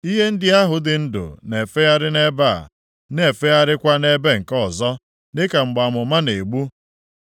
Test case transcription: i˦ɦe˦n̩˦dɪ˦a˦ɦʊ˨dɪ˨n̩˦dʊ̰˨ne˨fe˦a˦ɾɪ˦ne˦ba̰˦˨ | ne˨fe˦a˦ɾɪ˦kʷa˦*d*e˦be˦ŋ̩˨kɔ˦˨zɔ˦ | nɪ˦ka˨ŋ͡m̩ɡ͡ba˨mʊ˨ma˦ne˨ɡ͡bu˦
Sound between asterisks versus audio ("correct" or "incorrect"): incorrect